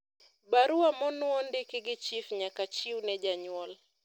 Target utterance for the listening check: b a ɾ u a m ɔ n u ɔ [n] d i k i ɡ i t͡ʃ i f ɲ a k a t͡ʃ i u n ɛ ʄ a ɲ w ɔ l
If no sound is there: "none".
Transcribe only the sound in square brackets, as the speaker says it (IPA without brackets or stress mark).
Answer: n